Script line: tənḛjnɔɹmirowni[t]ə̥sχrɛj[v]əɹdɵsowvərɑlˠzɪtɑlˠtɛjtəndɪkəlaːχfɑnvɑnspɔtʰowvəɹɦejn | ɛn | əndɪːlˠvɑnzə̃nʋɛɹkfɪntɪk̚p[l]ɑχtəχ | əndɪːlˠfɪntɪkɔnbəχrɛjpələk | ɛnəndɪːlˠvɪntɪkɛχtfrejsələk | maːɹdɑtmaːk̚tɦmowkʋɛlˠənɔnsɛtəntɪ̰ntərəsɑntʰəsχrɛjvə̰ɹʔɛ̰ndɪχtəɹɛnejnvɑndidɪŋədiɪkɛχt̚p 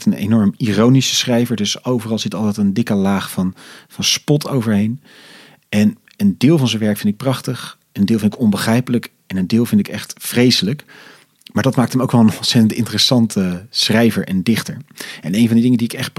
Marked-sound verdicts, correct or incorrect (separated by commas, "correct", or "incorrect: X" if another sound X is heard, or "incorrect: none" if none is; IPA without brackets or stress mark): incorrect: s, correct, incorrect: r